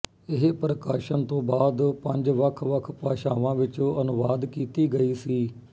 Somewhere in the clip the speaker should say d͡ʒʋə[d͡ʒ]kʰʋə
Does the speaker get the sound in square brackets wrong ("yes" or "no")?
yes